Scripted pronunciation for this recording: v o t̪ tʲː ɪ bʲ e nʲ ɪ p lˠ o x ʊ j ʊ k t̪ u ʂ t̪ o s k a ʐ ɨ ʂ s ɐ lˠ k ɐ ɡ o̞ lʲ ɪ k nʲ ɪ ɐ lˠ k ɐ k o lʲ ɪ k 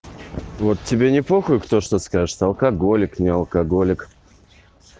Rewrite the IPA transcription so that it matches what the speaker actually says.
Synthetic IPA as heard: v o t̪ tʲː ɪ bʲ e nʲ ɪ p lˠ o x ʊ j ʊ k t̪ o ʂ t̪ o s k a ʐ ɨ ʂ s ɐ lˠ k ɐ ɡ o̞ lʲ ɪ k nʲ ɪ ɐ lˠ k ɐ ɡ o lʲ ɪ k